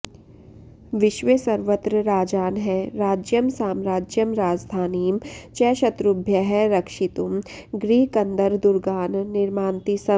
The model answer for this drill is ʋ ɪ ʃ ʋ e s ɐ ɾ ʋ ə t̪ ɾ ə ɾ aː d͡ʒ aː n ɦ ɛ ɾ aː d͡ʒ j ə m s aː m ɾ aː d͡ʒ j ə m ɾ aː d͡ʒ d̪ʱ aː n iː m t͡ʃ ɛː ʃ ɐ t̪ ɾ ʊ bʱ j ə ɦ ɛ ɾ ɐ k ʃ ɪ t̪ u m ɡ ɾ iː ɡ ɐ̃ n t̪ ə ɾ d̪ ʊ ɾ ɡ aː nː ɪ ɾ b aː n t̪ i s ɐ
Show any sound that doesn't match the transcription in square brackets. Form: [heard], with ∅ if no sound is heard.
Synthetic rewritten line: ʋ ɪ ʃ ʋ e s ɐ ɾ ʋ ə t̪ ɾ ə ɾ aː d͡ʒ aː n ɦ ɛ ɾ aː d͡ʒ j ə m s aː m ɾ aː d͡ʒ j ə m ɾ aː d͡ʒ d̪ʱ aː n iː m t͡ʃ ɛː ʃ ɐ t̪ ɾ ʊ bʱ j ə ɦ ɛ ɾ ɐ k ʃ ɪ t̪ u m ɡ ɾ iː [k] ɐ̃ n [d̪] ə ɾ d̪ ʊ ɾ ɡ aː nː ɪ ɾ [m] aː n t̪ i s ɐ

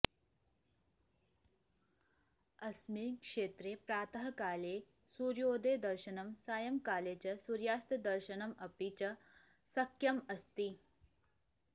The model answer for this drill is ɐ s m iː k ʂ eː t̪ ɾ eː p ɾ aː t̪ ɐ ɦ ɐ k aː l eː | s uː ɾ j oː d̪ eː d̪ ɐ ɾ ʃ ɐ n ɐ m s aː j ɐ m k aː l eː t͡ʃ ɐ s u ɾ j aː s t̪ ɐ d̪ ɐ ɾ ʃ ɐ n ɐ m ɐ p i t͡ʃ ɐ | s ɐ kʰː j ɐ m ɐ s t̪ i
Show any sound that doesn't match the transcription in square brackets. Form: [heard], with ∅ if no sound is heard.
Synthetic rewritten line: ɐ s m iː k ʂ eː t̪ ɾ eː p ɾ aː t̪ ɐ ɦ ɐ k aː l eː | s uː ɾ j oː d̪ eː d̪ ɐ ɾ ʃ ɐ n ɐ m s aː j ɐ m k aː l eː t͡ʃ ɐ s u ɾ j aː s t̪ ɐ d̪ ɐ ɾ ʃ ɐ n ɐ m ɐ p i t͡ʃ ɐ | s ɐ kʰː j ɐ m ɐ s t̪ i

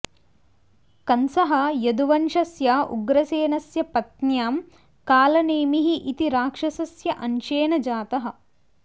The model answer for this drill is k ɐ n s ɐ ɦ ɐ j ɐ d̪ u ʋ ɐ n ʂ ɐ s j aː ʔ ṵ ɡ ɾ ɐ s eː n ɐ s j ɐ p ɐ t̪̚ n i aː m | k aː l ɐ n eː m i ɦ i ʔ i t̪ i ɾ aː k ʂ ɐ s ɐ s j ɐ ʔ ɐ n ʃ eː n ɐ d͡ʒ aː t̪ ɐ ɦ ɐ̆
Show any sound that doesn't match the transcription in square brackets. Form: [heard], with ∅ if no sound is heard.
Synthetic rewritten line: k ɐ n s ɐ ɦ ɐ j ɐ d̪ u ʋ ɐ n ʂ ɐ s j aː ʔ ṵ ɡ ɾ ɐ s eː n ɐ s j ɐ p ɐ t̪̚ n [j] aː m | k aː l ɐ n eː m i ɦ i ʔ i t̪ i ɾ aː k ʂ ɐ s ɐ s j ɐ ʔ ɐ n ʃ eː n ɐ d͡ʒ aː t̪ ɐ ɦ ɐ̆

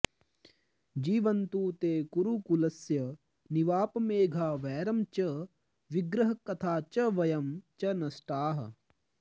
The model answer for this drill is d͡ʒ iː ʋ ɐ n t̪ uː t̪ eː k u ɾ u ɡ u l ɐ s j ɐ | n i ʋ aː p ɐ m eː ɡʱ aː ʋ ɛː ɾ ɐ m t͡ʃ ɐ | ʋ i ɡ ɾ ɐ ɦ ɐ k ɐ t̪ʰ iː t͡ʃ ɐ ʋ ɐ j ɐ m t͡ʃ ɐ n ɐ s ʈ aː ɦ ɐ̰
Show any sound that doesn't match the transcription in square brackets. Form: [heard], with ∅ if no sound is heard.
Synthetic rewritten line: d͡ʒ iː ʋ ɐ n t̪ uː t̪ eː k u ɾ u [k] u l ɐ s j ɐ | n i ʋ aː p ɐ m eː ɡʱ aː ʋ ɛː ɾ ɐ m t͡ʃ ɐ | ʋ i ɡ ɾ ɐ ɦ ɐ k ɐ t̪ʰ [aː] t͡ʃ ɐ ʋ ɐ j ɐ m t͡ʃ ɐ n ɐ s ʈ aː ɦ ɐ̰

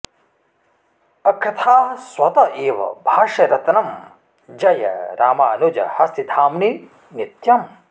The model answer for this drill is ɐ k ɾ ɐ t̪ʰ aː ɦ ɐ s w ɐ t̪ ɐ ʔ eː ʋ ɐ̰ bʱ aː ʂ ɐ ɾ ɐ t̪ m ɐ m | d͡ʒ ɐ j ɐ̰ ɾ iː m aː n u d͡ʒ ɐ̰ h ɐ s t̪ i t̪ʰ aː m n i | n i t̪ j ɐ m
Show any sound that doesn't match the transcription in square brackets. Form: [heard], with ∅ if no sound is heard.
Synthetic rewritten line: ɐ k ɾ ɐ t̪ʰ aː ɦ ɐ s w ɐ t̪ ɐ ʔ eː ʋ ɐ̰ bʱ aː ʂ ɐ ɾ ɐ t̪ [n] ɐ m | d͡ʒ ɐ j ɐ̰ ɾ [aː] m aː n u d͡ʒ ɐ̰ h ɐ s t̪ i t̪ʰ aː m n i | n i t̪ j ɐ m

